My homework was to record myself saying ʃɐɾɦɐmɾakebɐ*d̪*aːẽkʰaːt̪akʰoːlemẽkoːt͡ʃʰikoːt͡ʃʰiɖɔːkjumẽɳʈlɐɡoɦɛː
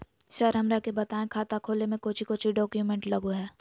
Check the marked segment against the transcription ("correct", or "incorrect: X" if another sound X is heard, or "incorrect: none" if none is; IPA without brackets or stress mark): incorrect: t̪